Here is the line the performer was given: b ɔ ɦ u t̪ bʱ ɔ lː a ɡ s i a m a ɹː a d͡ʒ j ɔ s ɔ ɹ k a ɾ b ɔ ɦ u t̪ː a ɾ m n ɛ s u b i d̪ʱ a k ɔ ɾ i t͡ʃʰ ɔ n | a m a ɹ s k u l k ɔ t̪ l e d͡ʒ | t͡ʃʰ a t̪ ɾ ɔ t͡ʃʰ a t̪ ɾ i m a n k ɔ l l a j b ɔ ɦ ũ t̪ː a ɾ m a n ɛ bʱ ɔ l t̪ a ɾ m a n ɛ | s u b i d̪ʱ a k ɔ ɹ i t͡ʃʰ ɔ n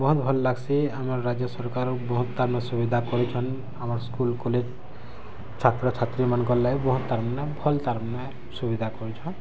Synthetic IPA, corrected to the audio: b ɔ ɦ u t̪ bʱ ɔ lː a ɡ s i a m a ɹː a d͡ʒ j ɔ s ɔ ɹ k a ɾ b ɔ ɦ u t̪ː a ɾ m n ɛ s u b i d̪ʱ a k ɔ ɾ i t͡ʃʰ ɔ n | a m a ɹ s k u l k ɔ l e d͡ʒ | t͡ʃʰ a t̪ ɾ ɔ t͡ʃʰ a t̪ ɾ i m a n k ɔ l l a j b ɔ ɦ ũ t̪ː a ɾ m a n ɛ bʱ ɔ l t̪ a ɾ m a n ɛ | s u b i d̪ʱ a k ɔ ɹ i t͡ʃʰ ɔ n